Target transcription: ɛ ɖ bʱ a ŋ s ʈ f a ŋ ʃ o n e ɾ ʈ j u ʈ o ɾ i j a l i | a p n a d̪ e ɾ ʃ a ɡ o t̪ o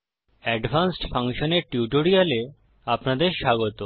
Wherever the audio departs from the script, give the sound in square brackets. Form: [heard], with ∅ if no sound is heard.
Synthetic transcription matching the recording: ɛ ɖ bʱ a [n] s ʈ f a ŋ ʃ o n e ɾ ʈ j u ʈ o ɾ i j a l [e] | a p n a d̪ e ɾ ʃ a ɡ o t̪ o